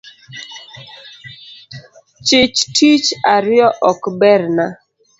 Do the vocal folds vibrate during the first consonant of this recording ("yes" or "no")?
no